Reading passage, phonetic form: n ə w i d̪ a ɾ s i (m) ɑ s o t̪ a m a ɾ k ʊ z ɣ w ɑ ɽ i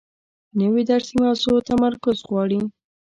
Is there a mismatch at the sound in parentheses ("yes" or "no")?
no